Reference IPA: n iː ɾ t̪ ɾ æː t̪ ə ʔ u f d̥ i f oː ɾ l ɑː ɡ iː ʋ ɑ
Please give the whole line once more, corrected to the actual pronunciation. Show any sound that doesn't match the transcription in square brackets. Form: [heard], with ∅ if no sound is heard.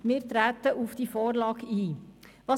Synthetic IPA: [m] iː ɾ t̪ ɾ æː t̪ ə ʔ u f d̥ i f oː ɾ l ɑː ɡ iː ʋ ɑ